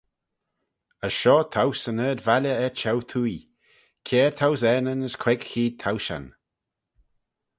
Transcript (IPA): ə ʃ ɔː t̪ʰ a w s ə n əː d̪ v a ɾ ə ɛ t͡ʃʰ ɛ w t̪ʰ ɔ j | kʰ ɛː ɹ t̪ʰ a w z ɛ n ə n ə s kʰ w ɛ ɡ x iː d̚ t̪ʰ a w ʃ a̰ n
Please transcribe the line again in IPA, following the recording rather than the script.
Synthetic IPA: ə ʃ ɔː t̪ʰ a w s ə n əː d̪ v a l ə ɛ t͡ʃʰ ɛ w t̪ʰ u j | kʰ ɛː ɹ t̪ʰ a w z ɛ n ə n ə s kʰ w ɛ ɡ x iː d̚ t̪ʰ a w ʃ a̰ n